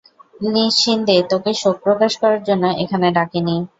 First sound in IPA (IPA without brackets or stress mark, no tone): l